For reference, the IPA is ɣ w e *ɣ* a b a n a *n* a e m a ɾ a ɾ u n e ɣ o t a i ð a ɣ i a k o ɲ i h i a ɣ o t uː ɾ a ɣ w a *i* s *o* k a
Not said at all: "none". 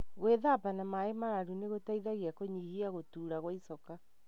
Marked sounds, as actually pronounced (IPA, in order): ð, m, i, ɔ

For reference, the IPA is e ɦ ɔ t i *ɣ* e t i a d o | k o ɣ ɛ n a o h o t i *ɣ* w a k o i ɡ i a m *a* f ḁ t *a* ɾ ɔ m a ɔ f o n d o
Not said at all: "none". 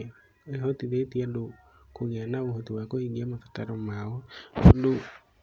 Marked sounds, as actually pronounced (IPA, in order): ð, none, a, a

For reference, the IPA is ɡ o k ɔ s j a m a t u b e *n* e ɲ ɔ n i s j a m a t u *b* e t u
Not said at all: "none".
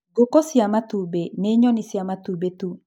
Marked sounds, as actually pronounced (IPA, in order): n, b

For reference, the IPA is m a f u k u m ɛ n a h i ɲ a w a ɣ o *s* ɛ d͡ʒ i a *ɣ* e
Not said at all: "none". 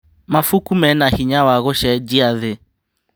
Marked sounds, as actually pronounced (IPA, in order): ʃ, ð

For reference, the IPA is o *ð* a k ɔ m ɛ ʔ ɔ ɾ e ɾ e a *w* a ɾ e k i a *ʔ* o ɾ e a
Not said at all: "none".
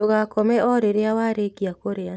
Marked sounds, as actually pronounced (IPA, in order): ɣ, w, k

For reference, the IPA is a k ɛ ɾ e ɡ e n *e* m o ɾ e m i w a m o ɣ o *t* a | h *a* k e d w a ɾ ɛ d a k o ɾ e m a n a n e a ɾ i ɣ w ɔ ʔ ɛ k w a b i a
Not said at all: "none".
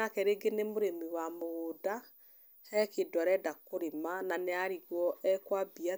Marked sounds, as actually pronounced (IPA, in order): e, d, ɛ

